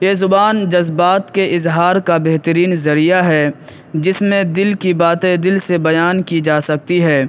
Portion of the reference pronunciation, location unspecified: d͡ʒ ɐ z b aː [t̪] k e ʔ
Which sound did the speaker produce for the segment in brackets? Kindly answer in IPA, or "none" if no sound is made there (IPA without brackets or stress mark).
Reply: t̪